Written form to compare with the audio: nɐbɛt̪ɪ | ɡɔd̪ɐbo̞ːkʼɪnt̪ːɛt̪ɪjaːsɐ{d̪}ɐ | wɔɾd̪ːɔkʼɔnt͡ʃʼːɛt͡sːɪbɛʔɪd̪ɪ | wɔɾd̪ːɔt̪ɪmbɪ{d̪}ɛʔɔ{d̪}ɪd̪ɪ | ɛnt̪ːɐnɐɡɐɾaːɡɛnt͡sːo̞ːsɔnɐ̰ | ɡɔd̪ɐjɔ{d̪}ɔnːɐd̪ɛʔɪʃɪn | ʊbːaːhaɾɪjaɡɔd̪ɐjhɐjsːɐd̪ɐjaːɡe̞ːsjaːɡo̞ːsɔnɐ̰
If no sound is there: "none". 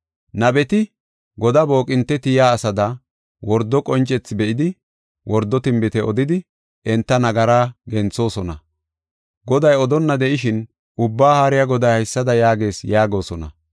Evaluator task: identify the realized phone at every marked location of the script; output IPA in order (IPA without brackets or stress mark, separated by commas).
d̪, t̪, d̪, d̪